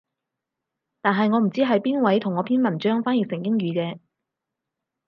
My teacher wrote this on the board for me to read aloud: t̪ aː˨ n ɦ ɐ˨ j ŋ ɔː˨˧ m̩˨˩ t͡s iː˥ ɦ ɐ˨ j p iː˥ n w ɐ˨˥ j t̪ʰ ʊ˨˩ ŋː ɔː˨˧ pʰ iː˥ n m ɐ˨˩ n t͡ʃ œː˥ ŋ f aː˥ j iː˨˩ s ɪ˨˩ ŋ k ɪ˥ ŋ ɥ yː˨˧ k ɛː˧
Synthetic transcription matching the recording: t̪ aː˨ n ɦ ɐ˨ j ŋ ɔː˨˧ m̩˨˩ t͡s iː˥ ɦ ɐ˨ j p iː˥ n w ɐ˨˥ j t̪ʰ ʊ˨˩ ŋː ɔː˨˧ pʰ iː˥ n m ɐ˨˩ n t͡ʃ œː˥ ŋ f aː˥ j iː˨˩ s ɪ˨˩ ŋ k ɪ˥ ŋ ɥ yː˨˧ k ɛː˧